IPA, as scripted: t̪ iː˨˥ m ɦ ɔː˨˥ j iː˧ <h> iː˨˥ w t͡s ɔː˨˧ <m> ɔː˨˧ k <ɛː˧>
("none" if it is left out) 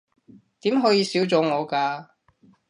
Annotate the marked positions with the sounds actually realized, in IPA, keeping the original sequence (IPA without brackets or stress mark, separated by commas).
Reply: s, ŋ, aː˧